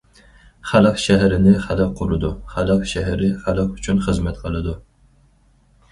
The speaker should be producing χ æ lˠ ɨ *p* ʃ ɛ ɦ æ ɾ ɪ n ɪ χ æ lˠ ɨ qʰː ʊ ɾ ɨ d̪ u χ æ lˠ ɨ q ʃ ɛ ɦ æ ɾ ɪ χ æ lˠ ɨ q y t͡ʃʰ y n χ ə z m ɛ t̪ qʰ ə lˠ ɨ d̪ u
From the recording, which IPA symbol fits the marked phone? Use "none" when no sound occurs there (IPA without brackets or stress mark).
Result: q